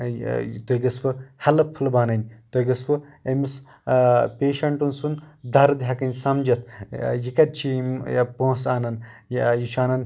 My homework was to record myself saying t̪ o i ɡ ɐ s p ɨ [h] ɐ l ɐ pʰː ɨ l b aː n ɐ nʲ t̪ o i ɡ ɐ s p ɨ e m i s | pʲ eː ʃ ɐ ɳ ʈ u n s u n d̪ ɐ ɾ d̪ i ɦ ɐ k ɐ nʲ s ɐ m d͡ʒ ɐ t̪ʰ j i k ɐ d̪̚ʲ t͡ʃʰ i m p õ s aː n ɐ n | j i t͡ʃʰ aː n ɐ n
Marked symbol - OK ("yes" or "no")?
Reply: yes